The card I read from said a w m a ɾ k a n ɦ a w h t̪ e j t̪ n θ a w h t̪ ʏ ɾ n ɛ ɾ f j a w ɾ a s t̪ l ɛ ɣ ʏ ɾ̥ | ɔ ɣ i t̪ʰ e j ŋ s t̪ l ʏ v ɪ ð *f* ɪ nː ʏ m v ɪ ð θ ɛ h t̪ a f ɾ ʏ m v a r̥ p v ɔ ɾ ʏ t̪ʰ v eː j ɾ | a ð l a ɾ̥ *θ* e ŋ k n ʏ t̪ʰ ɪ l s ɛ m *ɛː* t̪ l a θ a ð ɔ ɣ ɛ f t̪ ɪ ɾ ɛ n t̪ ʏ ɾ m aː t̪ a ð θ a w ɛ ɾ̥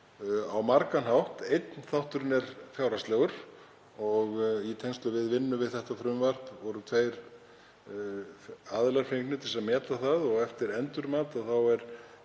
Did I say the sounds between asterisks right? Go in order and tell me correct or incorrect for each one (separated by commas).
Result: incorrect, incorrect, correct